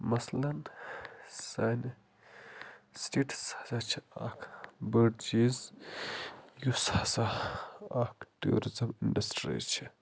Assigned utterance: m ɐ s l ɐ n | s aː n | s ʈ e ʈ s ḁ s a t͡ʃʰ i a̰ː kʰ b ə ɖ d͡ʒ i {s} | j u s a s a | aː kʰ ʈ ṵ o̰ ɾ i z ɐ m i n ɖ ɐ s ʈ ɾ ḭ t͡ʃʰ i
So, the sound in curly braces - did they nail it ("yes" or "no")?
no